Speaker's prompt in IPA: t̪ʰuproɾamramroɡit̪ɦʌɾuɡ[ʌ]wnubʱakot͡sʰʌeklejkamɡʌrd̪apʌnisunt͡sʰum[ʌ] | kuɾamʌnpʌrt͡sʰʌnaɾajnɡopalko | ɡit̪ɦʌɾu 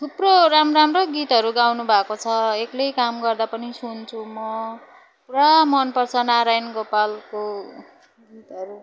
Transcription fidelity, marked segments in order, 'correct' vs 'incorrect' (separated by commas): incorrect, correct